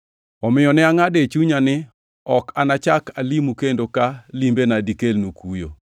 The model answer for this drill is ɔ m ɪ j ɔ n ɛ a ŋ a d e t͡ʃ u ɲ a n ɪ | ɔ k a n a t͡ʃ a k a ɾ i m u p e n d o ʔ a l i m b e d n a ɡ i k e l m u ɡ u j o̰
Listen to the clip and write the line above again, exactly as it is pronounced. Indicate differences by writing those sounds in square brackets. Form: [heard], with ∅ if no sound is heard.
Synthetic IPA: ɔ m ɪ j ɔ n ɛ a ŋ a d e t͡ʃ u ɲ a n ɪ | ɔ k a n a t͡ʃ a k a [l] i m u [k] e n d o [k] a l i m b e [∅] n a [d] i k e l [n] u [k] u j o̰